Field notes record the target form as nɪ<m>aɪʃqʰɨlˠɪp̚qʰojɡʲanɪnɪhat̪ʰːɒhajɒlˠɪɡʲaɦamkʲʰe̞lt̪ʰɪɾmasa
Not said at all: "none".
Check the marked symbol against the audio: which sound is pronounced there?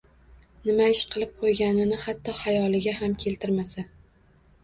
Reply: m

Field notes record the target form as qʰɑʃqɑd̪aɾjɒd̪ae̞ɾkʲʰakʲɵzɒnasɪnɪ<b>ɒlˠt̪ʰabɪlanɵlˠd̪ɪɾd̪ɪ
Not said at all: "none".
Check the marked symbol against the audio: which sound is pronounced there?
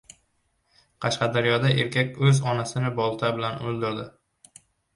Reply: b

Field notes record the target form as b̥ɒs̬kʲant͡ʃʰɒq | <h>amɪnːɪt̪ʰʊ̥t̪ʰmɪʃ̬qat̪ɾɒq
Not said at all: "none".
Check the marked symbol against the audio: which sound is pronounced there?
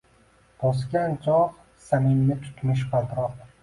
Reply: s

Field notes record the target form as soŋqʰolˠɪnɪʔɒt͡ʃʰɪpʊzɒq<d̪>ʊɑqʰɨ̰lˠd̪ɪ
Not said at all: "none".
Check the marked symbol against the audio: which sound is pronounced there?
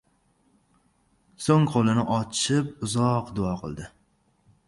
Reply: d̪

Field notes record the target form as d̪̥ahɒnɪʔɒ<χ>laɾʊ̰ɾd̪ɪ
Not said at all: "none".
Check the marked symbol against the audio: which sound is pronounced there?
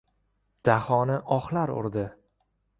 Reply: χ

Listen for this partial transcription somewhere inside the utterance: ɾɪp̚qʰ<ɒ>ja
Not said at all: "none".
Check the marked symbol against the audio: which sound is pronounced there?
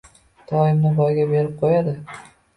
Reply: o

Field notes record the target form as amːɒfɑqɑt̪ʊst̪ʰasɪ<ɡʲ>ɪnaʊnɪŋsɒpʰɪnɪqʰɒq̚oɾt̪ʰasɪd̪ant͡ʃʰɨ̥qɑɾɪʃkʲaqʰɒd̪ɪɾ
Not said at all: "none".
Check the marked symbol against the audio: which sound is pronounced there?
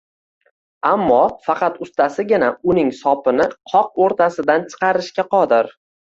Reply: ɡʲ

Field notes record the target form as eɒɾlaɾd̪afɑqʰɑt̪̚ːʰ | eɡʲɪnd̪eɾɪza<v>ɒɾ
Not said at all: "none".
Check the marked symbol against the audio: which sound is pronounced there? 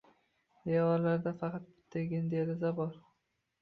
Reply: b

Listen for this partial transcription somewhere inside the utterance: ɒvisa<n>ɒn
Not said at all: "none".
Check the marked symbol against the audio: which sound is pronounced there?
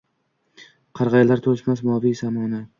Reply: m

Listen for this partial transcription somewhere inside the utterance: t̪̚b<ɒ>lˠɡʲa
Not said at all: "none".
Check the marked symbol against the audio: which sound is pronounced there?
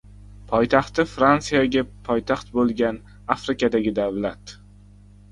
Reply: o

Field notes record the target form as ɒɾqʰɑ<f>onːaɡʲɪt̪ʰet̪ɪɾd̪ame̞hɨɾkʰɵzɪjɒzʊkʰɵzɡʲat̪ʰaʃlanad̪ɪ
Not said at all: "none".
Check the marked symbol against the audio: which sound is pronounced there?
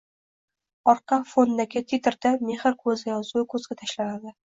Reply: f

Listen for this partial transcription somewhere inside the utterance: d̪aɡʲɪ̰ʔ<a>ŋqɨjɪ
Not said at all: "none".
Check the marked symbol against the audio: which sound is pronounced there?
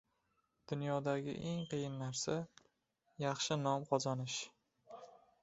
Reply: e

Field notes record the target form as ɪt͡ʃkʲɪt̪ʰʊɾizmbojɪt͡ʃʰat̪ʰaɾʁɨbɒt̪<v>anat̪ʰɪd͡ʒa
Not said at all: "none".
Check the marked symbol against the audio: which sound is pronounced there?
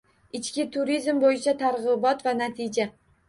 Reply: v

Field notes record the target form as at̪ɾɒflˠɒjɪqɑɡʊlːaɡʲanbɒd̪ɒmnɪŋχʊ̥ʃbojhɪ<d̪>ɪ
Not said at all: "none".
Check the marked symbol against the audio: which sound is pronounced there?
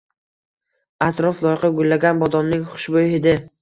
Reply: d̪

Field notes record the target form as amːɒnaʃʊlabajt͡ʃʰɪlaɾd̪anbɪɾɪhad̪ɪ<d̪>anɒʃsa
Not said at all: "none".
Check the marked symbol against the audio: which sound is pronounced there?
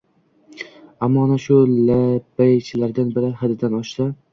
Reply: d̪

